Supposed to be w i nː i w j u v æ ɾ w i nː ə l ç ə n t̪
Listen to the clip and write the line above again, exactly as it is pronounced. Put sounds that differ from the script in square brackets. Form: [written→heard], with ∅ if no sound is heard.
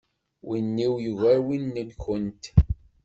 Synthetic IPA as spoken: w i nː i w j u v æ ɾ w i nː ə l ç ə n t̪